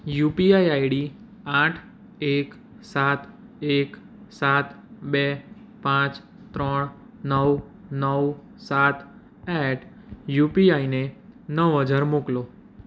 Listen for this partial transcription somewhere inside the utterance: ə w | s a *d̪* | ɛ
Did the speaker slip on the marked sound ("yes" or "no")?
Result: yes